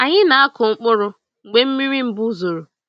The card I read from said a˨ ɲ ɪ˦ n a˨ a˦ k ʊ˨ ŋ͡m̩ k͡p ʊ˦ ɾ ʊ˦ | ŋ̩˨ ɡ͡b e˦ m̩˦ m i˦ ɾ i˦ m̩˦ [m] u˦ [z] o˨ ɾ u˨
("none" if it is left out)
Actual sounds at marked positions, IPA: b, z

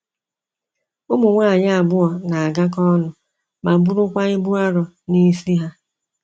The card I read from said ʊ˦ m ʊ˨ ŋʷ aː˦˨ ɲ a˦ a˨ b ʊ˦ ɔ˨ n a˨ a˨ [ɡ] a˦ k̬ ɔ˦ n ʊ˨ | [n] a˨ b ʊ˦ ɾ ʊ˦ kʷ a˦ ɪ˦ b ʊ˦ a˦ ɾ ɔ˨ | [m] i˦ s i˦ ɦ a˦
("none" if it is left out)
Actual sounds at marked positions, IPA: ɡ, m, n

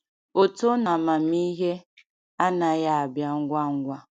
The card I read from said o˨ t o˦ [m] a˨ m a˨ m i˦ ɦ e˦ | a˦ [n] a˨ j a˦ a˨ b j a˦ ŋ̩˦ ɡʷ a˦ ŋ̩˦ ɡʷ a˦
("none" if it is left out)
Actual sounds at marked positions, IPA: n, n

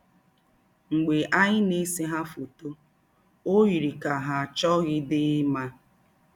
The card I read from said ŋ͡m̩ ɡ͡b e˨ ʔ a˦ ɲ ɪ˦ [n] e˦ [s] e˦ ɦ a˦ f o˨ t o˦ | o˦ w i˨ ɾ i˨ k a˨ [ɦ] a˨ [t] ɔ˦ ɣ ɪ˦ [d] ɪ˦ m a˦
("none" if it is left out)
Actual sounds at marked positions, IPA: n, s, ɦ, t͡ʃ, d

